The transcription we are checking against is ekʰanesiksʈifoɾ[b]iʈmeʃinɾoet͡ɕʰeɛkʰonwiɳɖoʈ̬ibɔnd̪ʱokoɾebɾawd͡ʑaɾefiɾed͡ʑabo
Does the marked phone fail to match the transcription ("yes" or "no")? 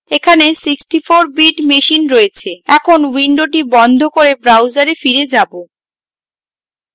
no